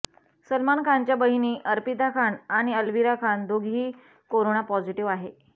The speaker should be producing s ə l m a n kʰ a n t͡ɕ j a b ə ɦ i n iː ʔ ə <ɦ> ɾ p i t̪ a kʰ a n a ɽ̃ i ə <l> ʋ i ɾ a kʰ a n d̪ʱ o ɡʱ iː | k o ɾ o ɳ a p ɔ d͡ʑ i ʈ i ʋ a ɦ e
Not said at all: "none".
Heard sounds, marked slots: none, l

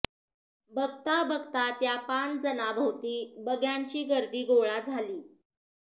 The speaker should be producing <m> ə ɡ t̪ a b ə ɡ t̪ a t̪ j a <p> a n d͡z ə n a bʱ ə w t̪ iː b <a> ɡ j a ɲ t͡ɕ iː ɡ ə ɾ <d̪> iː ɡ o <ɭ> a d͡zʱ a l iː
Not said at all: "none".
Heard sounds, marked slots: b, p, ə, d̪, ɭ

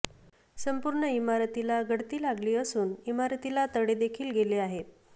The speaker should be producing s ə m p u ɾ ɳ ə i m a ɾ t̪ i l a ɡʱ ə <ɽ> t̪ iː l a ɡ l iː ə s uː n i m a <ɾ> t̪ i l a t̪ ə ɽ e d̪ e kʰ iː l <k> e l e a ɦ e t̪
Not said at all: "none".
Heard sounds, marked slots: ɽ, ɾ, ɡ

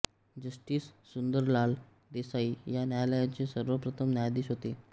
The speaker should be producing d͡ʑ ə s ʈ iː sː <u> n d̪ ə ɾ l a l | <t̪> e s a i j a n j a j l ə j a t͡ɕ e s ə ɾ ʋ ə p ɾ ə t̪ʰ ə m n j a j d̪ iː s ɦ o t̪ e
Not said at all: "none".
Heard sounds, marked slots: u, d̪

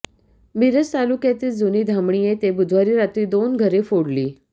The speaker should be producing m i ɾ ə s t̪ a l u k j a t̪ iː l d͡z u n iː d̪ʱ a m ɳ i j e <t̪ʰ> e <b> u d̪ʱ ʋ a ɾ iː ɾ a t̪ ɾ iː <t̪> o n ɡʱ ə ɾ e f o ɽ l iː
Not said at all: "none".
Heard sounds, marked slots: t̪, b, d̪

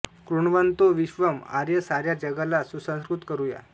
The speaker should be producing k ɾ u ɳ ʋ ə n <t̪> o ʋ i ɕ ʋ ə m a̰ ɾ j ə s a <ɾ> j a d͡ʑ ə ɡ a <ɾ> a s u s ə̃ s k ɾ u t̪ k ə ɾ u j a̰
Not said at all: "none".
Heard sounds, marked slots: t̪, ɾ, l

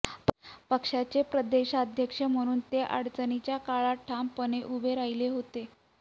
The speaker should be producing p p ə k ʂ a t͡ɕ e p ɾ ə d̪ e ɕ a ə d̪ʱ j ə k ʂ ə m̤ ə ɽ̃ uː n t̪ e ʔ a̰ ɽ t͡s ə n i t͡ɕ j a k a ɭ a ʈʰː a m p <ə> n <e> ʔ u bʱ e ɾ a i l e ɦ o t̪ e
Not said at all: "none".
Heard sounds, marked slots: ə, e

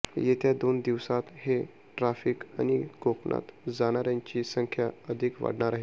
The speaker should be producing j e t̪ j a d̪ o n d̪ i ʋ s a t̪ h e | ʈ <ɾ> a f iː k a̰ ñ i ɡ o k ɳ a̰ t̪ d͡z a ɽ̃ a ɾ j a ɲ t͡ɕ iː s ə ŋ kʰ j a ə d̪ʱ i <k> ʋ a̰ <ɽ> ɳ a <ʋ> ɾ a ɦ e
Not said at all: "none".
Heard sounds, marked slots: ɾ, k, ɽ, none

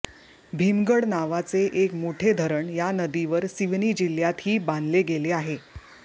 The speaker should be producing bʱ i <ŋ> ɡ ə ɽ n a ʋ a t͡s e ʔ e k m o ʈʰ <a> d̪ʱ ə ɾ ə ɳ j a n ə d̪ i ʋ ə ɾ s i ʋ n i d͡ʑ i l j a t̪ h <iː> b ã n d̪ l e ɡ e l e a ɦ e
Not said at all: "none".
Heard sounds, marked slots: m, e, iː

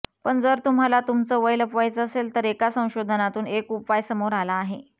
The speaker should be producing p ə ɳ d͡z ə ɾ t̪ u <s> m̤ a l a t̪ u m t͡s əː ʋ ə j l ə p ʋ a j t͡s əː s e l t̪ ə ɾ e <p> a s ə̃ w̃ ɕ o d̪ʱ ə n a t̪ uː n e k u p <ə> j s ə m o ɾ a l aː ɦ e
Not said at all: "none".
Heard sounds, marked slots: none, k, a

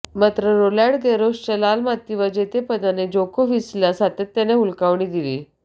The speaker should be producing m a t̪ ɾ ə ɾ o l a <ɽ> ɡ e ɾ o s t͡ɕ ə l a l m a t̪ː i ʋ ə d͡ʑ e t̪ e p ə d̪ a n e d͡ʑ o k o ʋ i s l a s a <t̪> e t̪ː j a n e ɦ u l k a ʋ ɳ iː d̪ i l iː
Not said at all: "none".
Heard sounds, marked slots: ɽ, t̪

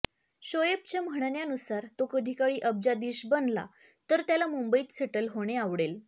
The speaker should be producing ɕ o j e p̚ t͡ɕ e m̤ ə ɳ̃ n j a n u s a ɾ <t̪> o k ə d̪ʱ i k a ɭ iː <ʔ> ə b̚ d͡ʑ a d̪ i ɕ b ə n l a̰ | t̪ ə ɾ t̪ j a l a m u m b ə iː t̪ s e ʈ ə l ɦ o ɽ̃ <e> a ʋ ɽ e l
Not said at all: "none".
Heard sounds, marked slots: t̪, ʔ, e

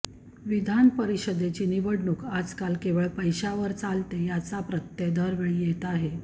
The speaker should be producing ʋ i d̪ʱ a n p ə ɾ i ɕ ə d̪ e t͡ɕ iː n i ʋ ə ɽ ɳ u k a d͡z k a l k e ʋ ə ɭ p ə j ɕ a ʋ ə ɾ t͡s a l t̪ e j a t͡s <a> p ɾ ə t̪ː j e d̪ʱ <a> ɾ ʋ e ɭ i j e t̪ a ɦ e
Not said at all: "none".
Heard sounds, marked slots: a, ə

